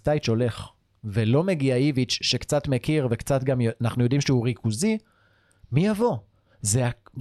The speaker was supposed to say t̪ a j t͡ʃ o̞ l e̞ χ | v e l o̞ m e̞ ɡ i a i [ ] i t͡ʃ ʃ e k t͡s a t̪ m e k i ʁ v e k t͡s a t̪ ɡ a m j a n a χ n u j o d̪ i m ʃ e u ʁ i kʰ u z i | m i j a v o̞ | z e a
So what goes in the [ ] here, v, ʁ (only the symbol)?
v